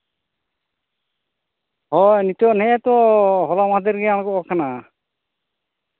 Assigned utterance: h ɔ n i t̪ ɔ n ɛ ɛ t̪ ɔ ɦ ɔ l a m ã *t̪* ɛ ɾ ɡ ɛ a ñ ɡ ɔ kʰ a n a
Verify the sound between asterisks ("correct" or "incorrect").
incorrect